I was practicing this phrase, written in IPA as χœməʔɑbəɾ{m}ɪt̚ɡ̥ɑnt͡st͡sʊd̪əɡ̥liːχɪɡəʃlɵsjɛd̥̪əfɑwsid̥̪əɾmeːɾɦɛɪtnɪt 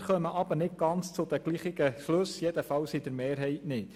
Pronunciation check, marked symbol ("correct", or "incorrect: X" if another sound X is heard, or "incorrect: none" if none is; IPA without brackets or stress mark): incorrect: n